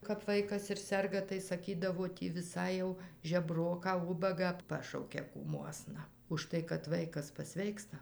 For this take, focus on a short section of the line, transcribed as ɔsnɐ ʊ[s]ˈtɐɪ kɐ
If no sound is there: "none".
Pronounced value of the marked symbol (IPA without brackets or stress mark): ʃ